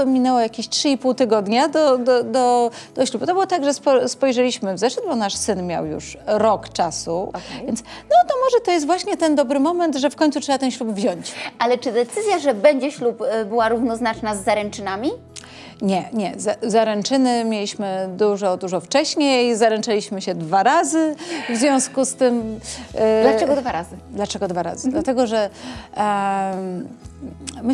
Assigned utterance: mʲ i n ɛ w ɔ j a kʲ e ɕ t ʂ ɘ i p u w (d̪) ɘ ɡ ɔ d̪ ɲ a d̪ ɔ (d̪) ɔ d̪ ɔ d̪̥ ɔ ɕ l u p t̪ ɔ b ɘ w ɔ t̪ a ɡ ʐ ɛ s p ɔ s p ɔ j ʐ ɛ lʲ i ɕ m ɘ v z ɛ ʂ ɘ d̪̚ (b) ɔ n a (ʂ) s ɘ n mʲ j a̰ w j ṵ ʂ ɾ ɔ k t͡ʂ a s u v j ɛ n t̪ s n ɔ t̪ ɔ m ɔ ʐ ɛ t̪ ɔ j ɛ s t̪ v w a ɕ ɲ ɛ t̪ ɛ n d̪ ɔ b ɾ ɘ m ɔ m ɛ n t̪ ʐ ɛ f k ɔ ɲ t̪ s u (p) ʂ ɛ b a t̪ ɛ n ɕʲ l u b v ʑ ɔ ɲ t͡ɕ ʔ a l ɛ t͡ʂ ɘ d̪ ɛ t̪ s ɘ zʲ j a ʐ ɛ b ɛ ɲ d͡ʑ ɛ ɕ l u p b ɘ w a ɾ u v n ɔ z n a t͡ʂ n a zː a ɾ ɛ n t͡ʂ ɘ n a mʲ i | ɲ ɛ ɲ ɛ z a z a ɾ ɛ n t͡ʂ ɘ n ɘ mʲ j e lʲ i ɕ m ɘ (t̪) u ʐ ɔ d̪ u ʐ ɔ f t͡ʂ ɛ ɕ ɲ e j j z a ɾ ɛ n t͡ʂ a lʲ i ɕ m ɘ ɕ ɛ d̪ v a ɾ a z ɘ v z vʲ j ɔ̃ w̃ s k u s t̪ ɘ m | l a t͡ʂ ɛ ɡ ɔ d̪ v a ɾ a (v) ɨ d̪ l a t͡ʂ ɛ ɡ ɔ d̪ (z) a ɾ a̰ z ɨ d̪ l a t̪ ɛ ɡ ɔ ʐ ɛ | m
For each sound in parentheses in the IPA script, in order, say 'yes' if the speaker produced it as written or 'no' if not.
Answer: no, yes, yes, yes, no, no, no, no

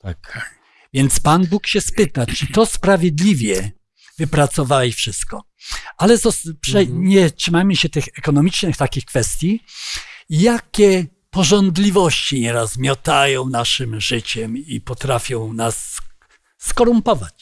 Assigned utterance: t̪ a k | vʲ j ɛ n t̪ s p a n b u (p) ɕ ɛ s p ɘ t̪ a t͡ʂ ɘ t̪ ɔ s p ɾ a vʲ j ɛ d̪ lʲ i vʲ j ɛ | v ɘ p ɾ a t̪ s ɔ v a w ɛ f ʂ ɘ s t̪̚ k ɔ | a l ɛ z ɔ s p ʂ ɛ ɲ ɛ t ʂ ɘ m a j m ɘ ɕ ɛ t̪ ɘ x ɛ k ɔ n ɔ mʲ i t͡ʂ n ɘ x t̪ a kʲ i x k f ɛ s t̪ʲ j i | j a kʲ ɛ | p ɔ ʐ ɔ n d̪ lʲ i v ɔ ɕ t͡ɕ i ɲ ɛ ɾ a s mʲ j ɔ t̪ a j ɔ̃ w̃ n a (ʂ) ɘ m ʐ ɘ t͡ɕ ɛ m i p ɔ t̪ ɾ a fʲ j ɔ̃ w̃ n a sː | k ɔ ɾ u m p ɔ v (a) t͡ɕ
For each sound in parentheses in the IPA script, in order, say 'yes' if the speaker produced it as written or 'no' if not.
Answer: no, yes, yes

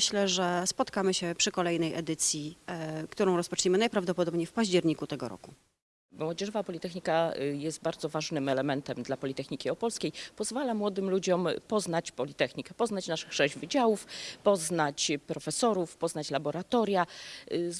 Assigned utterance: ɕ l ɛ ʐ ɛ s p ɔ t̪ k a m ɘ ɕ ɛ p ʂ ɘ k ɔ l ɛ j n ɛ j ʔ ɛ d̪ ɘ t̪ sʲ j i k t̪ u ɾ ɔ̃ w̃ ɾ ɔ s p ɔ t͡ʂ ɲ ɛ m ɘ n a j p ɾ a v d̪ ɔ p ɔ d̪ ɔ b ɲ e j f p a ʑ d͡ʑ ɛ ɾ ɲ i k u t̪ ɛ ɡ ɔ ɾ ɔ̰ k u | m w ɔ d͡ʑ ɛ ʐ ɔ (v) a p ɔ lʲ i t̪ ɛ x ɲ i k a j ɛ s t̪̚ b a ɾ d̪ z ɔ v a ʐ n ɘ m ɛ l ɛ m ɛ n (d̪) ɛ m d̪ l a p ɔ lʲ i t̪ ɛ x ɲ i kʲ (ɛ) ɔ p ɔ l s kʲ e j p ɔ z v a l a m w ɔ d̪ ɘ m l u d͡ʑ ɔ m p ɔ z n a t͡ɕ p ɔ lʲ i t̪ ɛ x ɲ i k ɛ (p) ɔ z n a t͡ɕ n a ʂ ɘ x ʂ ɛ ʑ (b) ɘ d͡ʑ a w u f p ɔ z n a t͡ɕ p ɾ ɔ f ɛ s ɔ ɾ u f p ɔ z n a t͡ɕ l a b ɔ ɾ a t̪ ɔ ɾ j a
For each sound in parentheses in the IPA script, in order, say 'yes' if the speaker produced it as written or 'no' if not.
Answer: yes, no, no, yes, no

